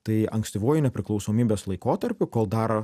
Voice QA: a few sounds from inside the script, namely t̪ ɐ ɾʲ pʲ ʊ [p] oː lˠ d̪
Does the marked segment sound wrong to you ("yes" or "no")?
yes